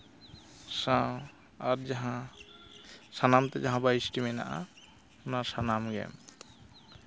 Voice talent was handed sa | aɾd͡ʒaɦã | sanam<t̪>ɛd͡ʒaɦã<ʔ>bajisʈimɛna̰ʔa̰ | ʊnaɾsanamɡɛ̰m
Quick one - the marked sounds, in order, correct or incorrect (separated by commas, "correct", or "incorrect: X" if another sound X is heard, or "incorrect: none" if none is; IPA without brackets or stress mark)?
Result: correct, incorrect: none